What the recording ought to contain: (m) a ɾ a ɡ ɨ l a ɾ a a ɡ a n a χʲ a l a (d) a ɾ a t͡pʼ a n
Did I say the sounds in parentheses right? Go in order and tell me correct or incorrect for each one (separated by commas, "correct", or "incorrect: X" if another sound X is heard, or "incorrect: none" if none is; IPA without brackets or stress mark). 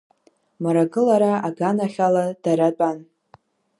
correct, correct